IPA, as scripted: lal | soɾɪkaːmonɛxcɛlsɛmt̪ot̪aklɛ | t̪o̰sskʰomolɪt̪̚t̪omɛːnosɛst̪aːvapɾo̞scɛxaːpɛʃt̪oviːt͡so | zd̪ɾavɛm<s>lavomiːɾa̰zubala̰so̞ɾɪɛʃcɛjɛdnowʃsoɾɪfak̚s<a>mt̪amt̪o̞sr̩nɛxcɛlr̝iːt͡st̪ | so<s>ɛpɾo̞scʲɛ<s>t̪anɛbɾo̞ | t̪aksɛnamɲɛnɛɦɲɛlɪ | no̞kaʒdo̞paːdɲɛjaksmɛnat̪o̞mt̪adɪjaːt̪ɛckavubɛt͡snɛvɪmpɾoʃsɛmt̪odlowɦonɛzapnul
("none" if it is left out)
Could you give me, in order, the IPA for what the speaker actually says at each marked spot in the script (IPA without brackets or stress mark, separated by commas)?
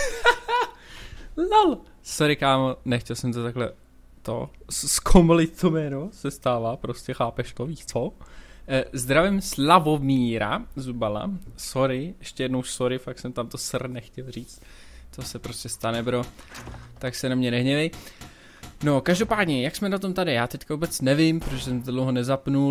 s, ɛ, s, s